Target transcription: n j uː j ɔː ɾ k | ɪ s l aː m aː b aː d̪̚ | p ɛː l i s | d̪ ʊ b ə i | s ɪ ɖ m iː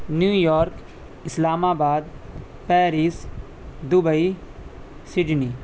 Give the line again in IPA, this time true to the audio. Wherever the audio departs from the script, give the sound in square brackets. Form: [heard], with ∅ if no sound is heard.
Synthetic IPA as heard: n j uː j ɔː ɾ k | ɪ s l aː m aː b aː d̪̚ | p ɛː [ɾ] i s | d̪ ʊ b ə i | s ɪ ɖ [n] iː